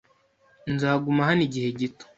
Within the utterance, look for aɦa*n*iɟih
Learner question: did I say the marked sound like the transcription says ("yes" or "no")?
yes